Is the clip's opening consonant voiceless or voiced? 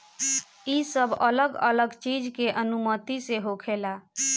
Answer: voiceless